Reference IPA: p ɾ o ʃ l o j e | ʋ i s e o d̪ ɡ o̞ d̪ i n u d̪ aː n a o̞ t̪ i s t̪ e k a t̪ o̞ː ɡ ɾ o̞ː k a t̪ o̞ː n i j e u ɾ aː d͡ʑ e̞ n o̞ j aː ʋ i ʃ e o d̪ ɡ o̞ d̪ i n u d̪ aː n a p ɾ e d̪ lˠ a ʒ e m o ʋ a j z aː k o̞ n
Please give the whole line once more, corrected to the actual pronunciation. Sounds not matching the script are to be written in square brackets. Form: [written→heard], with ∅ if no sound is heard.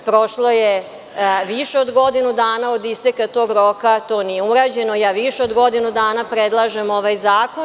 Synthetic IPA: p ɾ o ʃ l o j e | ʋ i [s→ʃ] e o d̪ ɡ o̞ d̪ i n u d̪ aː n a o̞ [t̪→d̪] i s t̪ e k a t̪ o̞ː ɡ ɾ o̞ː k a t̪ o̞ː n i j e u ɾ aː d͡ʑ e̞ n o̞ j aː ʋ i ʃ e o d̪ ɡ o̞ d̪ i n u d̪ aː n a p ɾ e d̪ lˠ a ʒ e m o ʋ a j z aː k o̞ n